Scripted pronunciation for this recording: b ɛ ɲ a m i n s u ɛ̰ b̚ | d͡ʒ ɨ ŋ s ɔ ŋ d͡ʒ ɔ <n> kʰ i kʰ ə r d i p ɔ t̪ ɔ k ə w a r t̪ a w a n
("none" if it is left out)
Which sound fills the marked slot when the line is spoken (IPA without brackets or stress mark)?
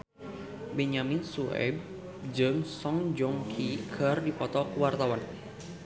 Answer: ŋ